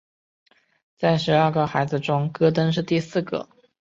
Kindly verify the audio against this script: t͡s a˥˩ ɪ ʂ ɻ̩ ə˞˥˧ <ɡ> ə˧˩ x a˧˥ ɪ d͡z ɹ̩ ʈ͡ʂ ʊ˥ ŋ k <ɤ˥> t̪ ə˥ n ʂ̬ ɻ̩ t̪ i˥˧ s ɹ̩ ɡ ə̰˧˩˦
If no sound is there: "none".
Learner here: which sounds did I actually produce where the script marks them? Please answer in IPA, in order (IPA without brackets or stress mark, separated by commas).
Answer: ɡ, ɤ˥